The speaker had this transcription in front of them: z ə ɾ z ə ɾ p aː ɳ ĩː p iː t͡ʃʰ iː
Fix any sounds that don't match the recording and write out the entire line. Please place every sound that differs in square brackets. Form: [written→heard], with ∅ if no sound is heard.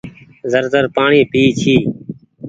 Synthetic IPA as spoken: z ə ɾ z ə ɾ p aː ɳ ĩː p iː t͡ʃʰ iː